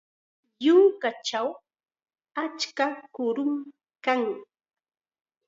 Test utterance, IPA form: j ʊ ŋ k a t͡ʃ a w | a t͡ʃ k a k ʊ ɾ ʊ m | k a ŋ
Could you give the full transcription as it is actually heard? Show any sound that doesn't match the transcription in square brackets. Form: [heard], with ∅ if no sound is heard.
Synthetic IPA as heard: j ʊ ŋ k a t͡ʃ a w | a t͡ʃ k a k ʊ ɾ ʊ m | k a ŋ